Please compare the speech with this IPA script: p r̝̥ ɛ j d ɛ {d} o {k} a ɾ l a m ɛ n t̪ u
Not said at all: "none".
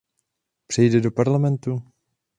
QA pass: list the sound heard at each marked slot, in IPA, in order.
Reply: d, p

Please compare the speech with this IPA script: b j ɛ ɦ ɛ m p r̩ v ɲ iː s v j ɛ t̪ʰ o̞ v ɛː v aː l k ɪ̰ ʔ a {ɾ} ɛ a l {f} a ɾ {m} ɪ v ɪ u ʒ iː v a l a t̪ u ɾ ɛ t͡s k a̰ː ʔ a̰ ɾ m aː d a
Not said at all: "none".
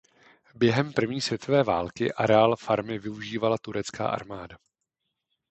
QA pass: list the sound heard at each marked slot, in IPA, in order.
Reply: ɾ, f, m

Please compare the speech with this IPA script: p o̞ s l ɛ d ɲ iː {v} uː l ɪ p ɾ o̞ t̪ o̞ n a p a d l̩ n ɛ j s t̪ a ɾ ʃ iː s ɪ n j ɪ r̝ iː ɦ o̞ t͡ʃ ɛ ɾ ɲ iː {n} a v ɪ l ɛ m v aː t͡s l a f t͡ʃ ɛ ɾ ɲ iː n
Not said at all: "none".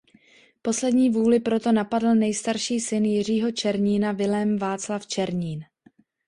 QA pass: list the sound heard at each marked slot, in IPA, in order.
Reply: v, n

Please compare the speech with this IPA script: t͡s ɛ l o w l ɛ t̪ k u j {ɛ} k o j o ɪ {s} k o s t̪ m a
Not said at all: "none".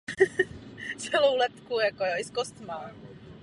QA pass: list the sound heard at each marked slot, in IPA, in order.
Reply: a, s

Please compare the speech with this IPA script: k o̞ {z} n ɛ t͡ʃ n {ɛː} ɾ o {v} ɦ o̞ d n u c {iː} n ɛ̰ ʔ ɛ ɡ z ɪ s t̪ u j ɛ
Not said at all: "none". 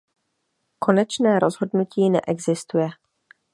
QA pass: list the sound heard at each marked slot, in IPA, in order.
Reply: none, ɛː, z, iː

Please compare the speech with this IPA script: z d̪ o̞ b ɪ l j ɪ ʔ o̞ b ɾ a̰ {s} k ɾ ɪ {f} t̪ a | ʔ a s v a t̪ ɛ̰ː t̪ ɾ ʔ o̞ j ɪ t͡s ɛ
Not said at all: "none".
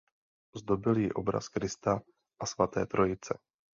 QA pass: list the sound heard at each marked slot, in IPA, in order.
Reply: s, s

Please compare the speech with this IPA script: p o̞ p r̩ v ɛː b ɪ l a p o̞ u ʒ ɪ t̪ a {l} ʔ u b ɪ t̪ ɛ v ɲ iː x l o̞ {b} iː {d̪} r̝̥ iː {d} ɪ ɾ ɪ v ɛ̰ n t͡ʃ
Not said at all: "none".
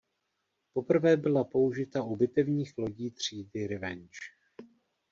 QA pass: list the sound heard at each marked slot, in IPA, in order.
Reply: none, ɟ, t̪, d

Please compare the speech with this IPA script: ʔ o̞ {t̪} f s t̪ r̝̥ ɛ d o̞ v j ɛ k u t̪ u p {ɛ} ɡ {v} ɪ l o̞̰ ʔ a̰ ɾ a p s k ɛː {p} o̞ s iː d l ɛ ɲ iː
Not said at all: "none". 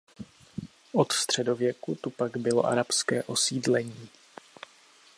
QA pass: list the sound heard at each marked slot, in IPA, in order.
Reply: t̪, a, b, ʔ

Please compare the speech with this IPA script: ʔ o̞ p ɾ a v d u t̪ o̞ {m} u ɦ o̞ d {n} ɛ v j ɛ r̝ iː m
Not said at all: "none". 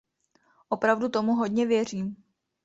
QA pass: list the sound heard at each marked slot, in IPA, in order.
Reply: m, ɲ

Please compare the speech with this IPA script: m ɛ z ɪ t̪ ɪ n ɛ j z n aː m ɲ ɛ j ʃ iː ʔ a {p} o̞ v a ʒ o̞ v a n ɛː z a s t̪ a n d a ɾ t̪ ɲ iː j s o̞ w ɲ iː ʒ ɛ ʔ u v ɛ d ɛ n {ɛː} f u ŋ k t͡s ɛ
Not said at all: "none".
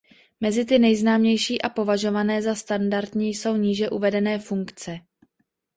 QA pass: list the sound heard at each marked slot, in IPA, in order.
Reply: p, ɛː

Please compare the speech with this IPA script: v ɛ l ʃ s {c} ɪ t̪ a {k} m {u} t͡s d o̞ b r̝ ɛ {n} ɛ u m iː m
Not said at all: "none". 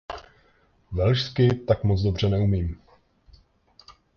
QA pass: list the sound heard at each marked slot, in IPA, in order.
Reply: k, k, o, n

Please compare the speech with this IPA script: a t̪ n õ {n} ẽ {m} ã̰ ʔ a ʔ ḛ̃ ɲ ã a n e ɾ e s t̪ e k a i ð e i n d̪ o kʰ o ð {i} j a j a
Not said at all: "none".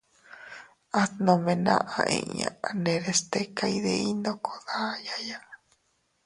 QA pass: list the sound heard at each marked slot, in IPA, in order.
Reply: m, n, a

